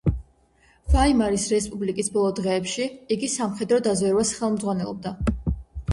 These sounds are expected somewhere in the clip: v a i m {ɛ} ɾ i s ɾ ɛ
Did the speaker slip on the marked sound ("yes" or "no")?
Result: yes